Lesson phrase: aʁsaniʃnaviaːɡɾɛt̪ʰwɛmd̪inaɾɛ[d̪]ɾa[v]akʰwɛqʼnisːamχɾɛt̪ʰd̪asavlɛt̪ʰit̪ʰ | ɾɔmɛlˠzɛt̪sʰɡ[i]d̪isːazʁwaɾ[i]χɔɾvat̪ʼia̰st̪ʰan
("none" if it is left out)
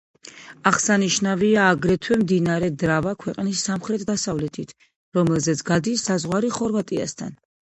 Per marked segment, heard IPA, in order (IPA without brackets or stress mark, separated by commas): d̪, v, a, i